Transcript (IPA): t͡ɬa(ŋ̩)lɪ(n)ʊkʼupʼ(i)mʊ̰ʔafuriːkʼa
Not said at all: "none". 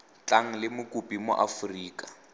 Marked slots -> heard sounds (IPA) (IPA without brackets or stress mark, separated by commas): ŋ̩, m, i